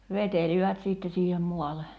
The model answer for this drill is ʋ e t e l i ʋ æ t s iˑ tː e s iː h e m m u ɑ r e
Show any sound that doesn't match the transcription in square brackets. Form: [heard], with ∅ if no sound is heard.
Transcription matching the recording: ʋ e t e l i ʋ æ t s iˑ tː e s iː h e m m u ɑ [l] e

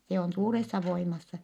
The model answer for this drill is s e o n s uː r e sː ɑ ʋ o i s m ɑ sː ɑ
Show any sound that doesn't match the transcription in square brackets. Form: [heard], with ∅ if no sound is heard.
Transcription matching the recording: s e o n s uː r e sː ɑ ʋ o i [∅] m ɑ sː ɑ

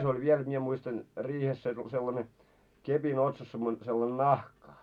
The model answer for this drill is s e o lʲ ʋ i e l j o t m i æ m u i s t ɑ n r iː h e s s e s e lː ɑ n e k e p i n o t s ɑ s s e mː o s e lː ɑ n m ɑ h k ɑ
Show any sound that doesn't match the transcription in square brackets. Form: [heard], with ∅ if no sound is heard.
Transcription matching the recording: s e o lʲ ʋ i e l j o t m i [e] m u i s t ɑ n r iː h e s s e s e lː ɑ n e k e p i n o t s ɑ s s e mː o s e lː ɑ n [n] ɑ h k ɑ

